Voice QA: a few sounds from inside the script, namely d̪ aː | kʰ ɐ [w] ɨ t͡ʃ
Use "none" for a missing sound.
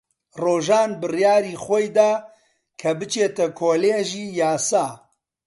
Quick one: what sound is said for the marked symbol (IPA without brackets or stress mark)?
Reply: b